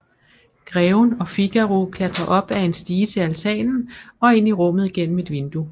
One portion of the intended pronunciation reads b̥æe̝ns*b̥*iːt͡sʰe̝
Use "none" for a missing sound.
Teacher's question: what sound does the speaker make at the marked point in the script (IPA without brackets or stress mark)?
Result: d̥